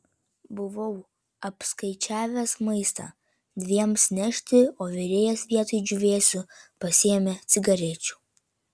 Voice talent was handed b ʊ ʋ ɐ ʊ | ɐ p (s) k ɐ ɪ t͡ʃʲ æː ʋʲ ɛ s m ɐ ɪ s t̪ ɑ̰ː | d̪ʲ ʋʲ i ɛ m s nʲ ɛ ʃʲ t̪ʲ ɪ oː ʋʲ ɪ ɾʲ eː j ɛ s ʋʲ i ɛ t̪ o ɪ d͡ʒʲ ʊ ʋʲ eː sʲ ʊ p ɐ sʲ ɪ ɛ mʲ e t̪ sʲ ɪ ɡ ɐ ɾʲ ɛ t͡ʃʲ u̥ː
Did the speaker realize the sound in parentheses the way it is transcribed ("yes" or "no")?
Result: yes